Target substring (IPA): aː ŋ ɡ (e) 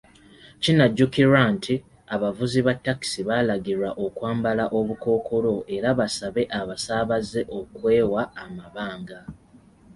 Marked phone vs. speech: incorrect: a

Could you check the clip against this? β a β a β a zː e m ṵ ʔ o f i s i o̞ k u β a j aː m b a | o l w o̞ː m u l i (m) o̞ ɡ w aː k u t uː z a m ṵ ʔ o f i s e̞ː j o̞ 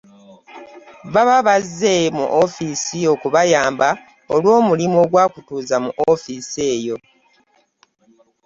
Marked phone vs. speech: correct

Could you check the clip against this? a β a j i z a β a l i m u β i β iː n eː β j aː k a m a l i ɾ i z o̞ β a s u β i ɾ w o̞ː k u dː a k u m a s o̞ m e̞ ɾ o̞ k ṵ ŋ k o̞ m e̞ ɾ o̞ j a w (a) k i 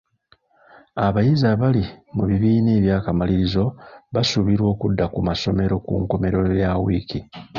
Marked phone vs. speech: incorrect: i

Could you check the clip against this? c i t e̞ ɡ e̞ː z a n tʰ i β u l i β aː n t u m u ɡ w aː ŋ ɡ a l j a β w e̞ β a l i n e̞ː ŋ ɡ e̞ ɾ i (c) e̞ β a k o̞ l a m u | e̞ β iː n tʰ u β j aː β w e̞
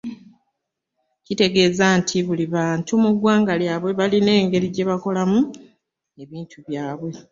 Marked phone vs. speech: incorrect: ɟ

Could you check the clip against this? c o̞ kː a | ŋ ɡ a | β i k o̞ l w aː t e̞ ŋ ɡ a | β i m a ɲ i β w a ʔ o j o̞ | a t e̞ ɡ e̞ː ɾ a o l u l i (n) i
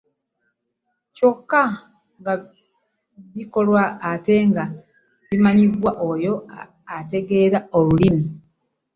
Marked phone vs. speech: incorrect: m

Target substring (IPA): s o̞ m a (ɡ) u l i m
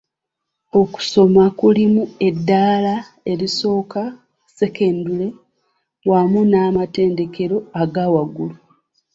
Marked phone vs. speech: incorrect: k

